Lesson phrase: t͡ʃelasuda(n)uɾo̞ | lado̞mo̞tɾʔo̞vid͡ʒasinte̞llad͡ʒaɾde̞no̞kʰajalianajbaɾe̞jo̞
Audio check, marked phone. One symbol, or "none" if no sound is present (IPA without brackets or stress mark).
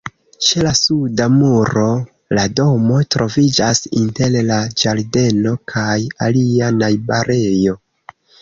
m